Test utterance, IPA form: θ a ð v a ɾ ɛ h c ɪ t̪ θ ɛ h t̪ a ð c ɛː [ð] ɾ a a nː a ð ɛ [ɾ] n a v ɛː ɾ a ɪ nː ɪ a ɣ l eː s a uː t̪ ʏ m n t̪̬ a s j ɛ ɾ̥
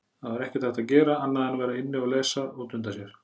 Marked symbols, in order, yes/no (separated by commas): no, no